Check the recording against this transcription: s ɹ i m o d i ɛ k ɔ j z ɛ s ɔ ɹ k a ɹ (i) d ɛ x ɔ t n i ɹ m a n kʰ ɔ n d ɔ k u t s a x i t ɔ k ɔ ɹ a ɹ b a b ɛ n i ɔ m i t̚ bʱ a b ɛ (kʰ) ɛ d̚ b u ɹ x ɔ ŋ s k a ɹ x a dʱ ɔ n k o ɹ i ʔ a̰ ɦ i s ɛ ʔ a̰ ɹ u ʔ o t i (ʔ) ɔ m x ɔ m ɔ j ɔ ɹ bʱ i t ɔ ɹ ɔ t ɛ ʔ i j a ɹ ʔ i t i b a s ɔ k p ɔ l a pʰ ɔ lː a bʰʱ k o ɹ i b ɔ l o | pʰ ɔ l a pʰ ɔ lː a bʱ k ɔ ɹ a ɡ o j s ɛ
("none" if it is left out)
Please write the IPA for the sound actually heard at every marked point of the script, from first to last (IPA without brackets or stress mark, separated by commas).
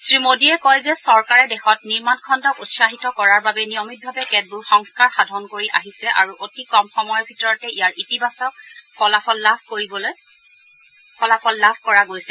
ɛ, k, k